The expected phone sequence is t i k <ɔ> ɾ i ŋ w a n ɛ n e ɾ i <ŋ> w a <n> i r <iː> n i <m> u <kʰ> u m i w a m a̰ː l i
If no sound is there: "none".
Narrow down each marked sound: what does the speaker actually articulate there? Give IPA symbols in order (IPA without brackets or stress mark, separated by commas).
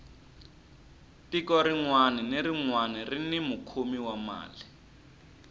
ɔ, ŋ, n, i, m, kʰ